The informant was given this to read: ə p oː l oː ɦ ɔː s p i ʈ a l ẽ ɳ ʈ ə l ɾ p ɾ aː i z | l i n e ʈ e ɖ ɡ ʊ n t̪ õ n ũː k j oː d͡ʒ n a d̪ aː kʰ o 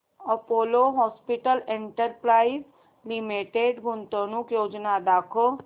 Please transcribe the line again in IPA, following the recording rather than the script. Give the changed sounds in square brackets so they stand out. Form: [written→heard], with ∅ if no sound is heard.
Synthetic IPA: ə p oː l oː ɦ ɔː s p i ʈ [a→ə] l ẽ ɳ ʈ ə [l→∅] ɾ p ɾ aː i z | l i [n→m] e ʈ e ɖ ɡ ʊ n t̪ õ n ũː k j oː d͡ʒ n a d̪ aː kʰ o